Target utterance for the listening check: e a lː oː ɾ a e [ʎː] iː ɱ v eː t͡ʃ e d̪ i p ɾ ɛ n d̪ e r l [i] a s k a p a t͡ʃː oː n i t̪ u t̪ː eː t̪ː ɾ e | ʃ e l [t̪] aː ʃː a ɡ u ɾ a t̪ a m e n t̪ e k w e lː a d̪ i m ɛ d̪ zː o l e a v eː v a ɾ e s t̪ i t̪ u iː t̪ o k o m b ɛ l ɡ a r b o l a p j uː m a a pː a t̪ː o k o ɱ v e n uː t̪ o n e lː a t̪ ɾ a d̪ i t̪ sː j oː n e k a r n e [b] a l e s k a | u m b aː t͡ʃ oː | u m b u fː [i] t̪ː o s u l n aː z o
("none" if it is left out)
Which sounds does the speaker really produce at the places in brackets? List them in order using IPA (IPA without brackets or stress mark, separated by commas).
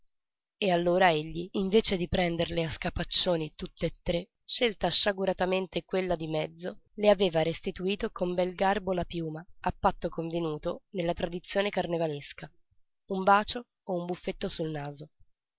ʎː, e, t̪, v, e